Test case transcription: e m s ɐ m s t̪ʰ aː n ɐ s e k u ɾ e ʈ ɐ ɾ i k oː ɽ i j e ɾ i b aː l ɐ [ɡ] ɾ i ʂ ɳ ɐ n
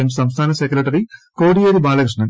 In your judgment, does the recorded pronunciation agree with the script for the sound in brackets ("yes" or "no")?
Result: no